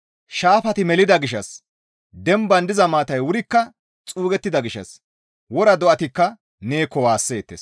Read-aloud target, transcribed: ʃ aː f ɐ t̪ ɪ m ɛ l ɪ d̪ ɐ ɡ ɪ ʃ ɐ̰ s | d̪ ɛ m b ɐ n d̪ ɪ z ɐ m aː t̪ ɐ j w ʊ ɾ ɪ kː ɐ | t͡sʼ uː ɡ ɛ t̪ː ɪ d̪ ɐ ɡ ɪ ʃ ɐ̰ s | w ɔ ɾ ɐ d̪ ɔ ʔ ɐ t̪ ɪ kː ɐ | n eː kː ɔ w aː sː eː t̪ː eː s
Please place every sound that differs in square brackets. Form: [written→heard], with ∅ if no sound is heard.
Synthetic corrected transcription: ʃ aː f ɐ t̪ ɪ m ɛ l ɪ d̪ ɐ ɡ ɪ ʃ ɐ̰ s | d̪ ɛ m b ɐ n d̪ ɪ z ɐ m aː t̪ ɐ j w ʊ ɾ ɪ kː ɐ | t͡sʼ uː ɡ ɛ t̪ː ɪ d̪ ɐ ɡ ɪ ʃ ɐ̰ s | w ɔ ɾ ɐ d̪ ɔ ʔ ɐ t̪ ɪ kː ɐ | n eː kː ɔ w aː sː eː t̪ː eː s